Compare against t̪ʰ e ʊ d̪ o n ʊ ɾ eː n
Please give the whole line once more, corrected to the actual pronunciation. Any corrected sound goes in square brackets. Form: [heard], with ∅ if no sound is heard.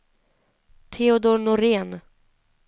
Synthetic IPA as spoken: t̪ʰ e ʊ d̪ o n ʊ ɾ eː n